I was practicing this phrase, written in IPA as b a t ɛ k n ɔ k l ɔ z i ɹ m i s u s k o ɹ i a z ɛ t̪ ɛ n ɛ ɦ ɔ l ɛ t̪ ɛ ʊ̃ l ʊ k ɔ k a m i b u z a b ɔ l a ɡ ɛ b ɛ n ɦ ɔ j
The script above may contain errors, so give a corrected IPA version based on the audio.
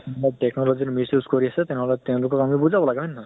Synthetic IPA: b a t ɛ k n ɔ l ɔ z i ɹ m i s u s k o ɹ i a s ɛ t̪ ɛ n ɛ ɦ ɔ l ɛ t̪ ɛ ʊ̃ l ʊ k ɔ k a m i b u z a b ɔ l a ɡ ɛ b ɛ n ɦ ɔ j